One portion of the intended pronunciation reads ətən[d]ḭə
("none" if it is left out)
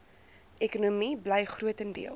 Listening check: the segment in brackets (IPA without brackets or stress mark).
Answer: d